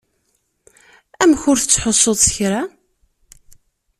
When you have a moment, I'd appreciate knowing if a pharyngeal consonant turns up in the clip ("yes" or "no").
yes